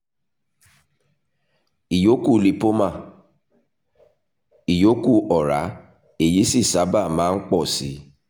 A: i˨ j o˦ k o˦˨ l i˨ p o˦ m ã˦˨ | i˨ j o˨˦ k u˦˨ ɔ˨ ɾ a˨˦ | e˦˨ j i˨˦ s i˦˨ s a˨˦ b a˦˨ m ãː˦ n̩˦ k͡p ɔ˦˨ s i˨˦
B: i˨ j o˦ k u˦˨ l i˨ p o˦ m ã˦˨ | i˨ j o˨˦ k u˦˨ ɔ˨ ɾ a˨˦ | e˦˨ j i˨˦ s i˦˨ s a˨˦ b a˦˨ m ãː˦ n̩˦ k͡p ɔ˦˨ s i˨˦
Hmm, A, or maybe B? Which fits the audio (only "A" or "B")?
B